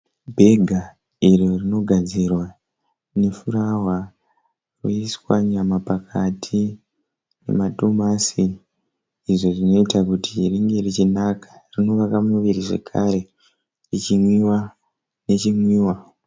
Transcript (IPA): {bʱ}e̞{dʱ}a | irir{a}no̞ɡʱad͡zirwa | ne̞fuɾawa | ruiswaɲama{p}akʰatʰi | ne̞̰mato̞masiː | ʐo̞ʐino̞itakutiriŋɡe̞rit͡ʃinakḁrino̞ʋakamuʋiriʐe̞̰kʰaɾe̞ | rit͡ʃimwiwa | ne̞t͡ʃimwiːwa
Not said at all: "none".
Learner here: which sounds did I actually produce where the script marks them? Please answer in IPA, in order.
bʱ, ɡʱ, i, p

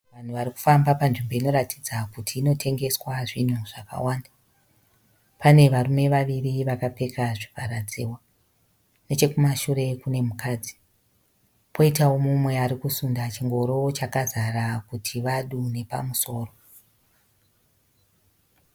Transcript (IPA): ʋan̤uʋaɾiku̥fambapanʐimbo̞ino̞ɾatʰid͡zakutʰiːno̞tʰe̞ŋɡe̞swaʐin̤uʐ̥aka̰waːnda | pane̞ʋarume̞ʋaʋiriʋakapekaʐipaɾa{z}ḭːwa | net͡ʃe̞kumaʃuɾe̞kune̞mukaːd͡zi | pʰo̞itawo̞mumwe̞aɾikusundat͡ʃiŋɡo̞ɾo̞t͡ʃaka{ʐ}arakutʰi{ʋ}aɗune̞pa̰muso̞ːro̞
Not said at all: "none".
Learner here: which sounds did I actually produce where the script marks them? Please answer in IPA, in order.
d͡z, z, ʋ

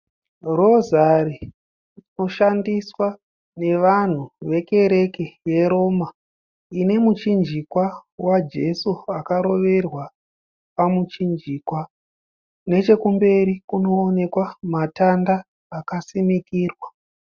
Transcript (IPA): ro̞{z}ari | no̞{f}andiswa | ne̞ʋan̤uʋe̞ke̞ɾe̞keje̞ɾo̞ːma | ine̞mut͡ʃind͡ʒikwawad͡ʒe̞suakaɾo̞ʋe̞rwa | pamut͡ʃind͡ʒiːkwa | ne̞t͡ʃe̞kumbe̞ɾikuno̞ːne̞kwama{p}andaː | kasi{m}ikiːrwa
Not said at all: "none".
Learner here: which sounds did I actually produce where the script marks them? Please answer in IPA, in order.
z, ʃ, t, m

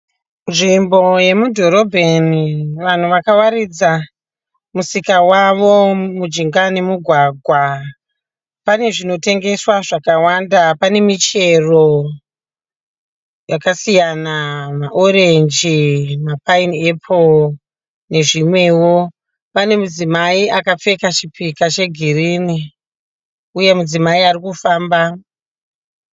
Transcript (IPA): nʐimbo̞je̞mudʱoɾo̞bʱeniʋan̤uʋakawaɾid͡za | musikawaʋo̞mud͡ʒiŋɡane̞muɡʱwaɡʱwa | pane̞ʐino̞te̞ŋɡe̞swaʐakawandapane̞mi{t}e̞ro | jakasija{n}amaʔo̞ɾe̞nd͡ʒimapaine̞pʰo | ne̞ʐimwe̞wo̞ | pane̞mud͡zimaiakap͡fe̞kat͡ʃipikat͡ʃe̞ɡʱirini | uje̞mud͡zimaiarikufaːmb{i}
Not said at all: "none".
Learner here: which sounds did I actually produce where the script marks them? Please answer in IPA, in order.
t͡ʃ, n, a

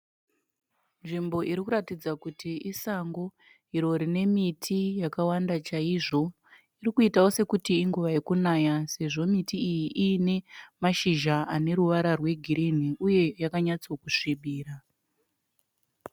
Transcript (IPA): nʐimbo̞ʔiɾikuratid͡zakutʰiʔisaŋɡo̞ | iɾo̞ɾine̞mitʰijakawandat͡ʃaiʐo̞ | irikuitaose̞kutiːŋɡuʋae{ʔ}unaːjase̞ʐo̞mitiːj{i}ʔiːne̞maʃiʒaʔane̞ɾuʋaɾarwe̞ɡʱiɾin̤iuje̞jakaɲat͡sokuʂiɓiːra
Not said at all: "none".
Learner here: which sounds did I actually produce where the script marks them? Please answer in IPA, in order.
k, i

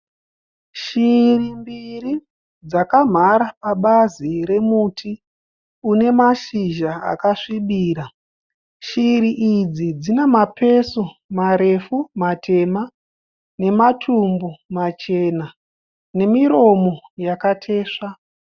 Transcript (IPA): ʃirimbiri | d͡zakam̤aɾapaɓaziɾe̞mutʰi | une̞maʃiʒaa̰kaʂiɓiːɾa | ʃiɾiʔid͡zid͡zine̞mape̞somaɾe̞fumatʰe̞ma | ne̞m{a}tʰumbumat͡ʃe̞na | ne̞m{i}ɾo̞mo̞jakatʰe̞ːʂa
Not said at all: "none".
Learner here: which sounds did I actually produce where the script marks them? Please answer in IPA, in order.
a, i

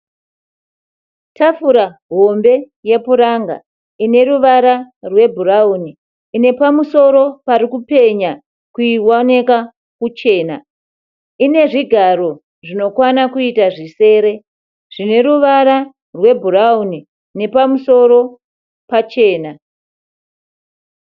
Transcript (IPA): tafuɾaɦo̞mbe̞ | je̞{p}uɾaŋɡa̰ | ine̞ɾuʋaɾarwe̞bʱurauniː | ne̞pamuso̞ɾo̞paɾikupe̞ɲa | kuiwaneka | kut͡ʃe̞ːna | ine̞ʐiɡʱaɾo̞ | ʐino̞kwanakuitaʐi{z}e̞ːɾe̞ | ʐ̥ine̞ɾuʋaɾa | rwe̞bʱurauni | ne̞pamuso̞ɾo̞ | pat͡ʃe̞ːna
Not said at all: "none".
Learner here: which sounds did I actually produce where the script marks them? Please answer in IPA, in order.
p, s

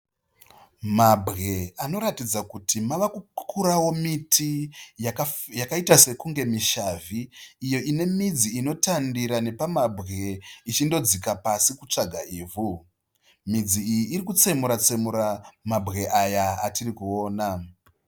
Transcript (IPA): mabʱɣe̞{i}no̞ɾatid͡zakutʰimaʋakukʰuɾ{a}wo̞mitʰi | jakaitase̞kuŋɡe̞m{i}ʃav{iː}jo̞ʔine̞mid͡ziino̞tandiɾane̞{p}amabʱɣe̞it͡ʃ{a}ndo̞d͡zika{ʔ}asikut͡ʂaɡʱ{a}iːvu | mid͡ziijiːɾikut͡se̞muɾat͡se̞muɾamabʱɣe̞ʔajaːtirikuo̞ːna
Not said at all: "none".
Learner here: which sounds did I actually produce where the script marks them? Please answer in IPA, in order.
a, a, i, iː, p, i, p, a

